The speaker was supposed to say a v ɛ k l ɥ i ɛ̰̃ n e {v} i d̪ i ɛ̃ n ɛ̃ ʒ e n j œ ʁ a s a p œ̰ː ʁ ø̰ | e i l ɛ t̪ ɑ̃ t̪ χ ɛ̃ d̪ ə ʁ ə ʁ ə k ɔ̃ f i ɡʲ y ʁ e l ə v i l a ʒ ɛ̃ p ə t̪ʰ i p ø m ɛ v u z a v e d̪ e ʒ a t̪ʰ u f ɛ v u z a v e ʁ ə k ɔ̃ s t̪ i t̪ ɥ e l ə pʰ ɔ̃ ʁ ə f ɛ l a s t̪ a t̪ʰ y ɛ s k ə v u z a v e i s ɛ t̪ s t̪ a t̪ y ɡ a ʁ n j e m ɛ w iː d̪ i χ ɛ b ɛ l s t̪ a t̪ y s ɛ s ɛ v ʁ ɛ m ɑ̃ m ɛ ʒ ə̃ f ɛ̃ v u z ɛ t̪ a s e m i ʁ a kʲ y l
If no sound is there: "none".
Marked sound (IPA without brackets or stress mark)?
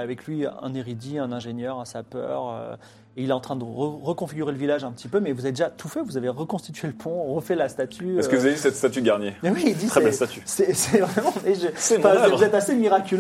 ʁ